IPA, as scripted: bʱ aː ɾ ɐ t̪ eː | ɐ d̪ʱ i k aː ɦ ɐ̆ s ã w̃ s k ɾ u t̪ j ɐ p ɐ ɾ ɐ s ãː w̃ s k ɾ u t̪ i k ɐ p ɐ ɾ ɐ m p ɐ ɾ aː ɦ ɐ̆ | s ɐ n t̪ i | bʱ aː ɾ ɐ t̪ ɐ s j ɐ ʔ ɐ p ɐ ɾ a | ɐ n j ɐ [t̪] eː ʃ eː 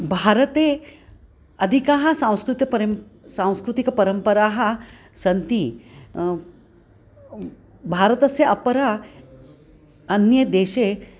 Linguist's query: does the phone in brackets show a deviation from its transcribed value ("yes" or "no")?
yes